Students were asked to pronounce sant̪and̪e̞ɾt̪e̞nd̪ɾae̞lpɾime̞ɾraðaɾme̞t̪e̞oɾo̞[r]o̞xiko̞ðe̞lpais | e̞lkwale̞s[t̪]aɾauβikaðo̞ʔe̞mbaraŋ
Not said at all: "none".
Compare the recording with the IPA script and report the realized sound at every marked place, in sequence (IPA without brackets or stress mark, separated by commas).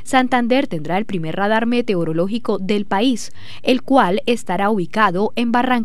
l, t̪